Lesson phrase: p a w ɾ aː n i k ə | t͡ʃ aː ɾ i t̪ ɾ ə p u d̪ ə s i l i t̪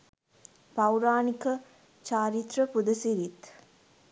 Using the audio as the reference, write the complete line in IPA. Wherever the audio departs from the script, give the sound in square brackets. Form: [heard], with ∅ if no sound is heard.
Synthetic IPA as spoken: p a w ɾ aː n i k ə | t͡ʃ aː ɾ i t̪ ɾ ə p u d̪ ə s i [ɾ] i t̪